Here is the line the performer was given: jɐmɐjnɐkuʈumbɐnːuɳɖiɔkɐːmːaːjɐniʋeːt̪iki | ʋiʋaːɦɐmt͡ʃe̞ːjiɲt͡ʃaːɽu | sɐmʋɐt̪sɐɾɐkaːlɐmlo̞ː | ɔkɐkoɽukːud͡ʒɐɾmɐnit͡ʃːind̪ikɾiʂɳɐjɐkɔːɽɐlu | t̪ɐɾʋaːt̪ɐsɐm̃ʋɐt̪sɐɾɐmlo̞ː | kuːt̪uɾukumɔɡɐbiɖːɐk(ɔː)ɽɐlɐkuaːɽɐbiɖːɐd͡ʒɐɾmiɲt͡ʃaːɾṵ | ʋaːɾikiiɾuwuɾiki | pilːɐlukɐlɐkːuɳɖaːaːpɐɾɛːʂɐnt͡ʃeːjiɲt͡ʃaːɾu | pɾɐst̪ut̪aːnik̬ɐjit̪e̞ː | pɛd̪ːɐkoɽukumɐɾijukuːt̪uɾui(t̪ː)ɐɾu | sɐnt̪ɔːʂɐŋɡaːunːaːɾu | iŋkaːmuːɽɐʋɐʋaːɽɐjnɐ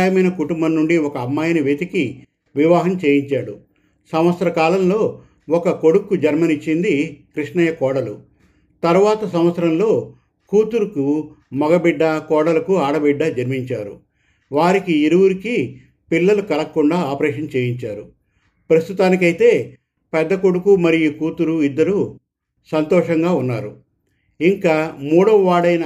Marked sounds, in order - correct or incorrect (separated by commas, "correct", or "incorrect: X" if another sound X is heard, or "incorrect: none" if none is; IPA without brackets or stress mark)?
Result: correct, incorrect: d̪ː